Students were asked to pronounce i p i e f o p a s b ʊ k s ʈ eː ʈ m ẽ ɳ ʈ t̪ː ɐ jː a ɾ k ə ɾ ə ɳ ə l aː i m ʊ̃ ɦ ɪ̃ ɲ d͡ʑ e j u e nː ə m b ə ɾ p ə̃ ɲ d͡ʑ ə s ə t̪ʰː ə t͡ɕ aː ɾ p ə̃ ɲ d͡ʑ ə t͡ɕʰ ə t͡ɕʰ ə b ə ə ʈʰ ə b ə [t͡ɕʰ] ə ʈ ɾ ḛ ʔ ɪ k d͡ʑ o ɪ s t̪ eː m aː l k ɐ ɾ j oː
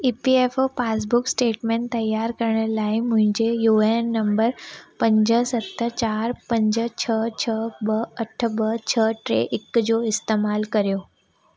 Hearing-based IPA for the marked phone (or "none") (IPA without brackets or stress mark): t͡ɕʰ